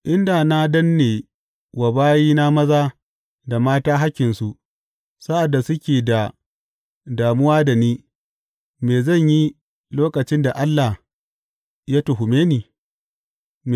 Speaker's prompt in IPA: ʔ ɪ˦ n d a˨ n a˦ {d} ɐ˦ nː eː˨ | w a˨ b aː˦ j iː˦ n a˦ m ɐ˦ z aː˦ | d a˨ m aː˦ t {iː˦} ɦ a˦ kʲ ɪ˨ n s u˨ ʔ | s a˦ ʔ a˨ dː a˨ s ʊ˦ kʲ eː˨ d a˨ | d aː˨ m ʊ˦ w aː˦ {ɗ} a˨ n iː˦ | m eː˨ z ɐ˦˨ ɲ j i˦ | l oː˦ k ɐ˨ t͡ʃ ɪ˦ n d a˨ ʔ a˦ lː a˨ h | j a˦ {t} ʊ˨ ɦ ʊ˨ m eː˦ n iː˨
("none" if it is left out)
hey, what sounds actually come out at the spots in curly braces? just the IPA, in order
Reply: d, aː˦, d, t

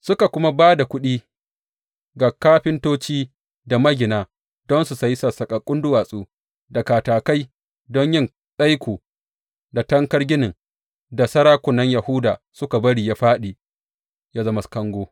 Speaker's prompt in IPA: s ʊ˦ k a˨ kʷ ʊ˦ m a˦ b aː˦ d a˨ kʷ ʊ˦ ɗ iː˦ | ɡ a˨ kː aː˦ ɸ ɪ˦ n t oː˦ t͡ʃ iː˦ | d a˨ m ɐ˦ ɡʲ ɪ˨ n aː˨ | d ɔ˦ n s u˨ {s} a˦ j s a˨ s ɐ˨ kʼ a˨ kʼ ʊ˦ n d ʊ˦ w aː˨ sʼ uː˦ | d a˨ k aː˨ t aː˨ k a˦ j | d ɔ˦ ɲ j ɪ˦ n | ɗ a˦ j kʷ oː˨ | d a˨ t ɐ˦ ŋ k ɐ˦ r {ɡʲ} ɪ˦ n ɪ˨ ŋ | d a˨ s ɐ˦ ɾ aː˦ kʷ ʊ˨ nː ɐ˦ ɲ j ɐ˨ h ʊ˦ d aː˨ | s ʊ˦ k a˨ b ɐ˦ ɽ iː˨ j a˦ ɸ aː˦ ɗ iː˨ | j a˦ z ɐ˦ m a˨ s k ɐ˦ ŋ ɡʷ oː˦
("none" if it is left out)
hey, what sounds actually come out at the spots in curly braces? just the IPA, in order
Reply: s, ɡʲ

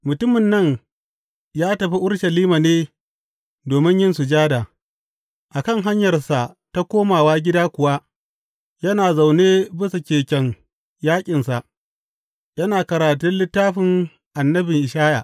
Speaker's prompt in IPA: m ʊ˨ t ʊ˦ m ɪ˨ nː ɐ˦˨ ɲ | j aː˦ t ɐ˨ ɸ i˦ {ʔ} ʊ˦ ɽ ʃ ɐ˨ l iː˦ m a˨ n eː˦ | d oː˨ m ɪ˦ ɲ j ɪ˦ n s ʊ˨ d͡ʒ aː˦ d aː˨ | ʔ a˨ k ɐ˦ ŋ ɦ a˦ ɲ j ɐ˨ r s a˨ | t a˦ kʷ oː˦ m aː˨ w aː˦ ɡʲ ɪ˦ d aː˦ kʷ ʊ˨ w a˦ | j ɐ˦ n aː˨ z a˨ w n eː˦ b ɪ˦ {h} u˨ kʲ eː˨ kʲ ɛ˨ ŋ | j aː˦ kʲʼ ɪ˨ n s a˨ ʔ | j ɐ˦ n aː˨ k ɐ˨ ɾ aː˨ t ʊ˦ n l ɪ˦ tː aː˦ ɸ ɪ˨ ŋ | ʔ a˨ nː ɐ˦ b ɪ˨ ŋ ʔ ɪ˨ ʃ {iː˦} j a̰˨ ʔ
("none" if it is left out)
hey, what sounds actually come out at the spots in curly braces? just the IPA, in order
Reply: ʔ, s, aː˦

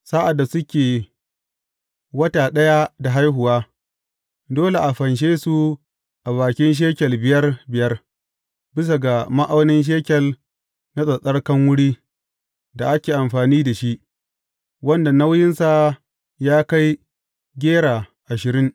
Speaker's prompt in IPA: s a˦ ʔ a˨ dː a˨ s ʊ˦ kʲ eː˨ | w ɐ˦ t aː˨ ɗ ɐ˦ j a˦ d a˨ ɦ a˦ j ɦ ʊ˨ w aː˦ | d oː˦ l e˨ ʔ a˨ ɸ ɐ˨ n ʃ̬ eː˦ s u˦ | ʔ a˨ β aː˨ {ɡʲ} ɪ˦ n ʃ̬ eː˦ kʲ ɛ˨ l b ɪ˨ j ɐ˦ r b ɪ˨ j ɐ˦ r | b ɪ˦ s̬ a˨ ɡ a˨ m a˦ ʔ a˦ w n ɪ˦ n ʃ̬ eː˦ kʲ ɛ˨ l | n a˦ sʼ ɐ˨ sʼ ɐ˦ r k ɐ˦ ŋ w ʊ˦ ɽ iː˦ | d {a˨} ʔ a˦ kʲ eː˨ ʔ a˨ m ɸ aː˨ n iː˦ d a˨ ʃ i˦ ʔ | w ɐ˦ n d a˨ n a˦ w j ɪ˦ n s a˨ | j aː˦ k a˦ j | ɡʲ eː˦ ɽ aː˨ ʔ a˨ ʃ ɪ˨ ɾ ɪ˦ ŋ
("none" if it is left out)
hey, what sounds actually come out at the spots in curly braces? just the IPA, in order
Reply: kʲ, a˨

